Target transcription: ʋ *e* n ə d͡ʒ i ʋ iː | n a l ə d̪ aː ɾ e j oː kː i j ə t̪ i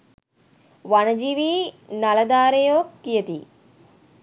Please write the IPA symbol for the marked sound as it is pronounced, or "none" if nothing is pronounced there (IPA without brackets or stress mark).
a